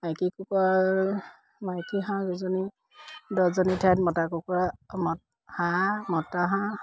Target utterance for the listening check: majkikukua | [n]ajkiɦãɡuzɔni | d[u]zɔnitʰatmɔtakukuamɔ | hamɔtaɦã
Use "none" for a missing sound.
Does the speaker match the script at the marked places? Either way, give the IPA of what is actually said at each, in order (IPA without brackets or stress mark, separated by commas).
m, ɔ